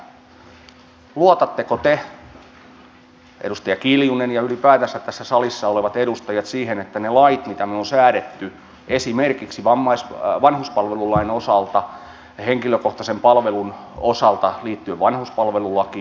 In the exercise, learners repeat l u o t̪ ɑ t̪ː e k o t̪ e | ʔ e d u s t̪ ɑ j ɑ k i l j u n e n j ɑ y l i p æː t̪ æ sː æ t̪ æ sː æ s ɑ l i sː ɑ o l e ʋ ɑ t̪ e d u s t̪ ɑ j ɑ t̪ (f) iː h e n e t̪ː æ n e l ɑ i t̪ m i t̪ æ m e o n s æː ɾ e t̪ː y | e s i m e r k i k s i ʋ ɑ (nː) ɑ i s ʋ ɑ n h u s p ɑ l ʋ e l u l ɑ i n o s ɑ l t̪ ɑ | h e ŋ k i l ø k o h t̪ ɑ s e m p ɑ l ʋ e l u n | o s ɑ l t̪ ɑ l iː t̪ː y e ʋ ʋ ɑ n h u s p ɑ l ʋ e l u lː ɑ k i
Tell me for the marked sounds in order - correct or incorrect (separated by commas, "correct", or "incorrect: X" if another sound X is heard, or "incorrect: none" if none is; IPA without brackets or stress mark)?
incorrect: s, incorrect: mː